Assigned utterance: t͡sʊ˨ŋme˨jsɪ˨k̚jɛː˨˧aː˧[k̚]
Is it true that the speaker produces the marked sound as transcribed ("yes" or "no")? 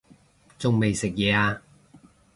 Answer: no